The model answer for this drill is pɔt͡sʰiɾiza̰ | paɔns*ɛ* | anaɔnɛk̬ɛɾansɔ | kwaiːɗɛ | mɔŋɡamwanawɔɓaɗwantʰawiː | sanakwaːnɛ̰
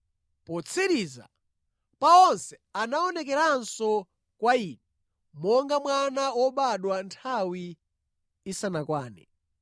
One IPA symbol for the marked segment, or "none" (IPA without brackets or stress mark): ɛ